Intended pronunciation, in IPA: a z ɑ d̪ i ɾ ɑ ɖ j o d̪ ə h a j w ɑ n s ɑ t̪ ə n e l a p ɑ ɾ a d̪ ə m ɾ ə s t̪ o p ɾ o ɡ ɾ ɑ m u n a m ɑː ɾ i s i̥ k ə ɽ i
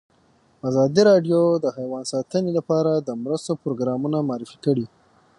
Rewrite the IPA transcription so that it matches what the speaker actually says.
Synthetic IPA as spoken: a z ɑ d̪ i ɾ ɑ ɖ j o d̪ ə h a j w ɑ n s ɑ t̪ ə n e l a p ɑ ɾ a d̪ ə m ɾ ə s t̪ o p ɾ o ɡ ɾ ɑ m u n a m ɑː ɾ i f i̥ k ə ɽ i